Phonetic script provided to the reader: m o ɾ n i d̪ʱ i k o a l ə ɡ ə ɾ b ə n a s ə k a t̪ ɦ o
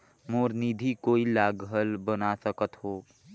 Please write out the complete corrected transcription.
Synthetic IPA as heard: m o ɾ n i d̪ʱ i k o i l a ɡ ə l b ə n a s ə k ə t̪ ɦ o